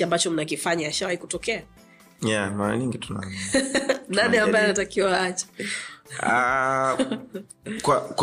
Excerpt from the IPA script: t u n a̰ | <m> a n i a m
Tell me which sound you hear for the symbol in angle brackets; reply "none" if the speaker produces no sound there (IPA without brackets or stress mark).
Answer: n